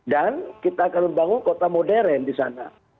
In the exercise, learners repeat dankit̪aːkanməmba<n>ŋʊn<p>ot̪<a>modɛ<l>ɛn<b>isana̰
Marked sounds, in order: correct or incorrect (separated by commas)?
incorrect, incorrect, correct, incorrect, incorrect